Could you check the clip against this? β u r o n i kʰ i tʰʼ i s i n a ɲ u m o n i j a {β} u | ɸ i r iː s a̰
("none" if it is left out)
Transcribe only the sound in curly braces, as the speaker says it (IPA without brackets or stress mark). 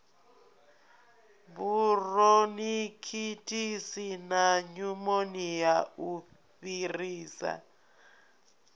none